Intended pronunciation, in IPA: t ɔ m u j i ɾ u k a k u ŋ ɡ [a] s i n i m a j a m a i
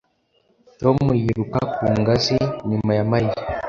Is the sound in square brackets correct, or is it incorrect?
correct